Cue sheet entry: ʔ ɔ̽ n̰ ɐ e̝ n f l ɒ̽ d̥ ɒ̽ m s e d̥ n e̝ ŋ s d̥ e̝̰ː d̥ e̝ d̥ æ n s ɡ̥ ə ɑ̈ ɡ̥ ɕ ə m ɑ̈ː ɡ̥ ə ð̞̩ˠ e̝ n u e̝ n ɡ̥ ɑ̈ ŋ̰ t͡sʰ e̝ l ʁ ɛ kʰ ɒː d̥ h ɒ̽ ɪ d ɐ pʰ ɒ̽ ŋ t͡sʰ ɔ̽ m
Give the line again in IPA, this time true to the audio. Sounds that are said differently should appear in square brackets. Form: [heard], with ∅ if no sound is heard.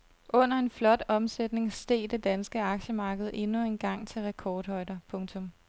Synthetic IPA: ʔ ɔ̽ n̰ ɐ e̝ n f l ɒ̽ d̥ ɒ̽ m s e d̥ n e̝ ŋ s d̥ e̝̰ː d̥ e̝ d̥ æ n s ɡ̥ ə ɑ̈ ɡ̥ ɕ ə m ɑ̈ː ɡ̥ ə ð̞̩ˠ e̝ n u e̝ n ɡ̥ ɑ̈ ŋ̰ t͡sʰ e̝ l ʁ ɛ kʰ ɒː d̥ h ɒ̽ ɪ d ɐ pʰ [ɔ̽] ŋ t͡sʰ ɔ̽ m